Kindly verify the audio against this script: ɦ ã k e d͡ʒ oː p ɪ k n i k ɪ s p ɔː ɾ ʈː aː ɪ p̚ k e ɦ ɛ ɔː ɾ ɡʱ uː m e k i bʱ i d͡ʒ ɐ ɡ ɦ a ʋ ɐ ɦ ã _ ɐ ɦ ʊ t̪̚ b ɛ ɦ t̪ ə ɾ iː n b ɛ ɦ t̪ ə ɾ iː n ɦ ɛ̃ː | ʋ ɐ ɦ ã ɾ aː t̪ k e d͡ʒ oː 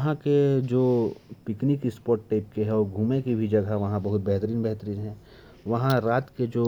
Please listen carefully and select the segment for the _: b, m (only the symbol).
b